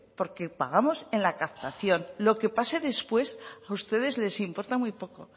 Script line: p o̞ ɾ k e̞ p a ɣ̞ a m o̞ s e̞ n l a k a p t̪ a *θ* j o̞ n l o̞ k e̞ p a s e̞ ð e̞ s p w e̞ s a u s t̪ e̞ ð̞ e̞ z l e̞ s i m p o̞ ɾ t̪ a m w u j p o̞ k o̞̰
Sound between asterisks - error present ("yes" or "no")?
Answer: no